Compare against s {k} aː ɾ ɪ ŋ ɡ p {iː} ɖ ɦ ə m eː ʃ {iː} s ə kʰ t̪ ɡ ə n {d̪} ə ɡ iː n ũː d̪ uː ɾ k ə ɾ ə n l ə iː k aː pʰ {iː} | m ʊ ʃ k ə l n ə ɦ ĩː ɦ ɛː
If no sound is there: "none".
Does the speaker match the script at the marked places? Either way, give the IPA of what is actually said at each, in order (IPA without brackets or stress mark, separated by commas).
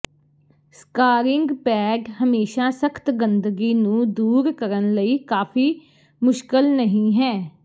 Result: k, ɛː, aː, d̪, iː